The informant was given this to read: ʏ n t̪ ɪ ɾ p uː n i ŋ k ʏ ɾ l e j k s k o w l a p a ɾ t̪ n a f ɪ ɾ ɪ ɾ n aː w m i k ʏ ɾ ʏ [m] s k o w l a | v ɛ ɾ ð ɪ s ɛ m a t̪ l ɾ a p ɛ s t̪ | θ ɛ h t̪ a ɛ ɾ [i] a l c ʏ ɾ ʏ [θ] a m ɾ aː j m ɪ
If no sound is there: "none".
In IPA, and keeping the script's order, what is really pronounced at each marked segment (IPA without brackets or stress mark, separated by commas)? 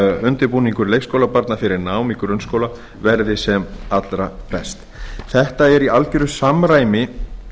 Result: n, i, s